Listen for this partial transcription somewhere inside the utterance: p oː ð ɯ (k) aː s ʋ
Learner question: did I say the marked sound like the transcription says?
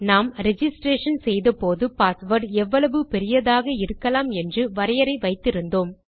no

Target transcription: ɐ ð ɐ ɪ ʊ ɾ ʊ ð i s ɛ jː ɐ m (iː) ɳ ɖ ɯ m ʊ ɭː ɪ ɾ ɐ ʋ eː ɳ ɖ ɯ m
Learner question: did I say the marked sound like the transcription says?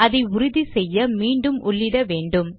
yes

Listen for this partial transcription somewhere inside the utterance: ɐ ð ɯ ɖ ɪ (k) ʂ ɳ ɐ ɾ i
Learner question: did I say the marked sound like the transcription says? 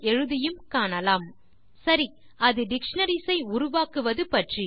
yes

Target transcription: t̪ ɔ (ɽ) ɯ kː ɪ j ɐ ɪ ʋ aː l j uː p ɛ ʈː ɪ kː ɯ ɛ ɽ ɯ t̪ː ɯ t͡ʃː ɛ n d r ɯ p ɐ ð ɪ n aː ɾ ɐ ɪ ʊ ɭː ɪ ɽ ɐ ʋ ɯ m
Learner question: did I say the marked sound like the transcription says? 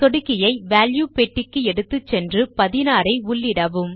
yes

